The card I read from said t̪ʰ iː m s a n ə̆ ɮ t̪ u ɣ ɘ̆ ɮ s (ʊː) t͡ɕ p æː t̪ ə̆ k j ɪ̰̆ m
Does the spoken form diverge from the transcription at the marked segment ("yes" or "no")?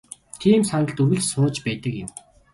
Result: no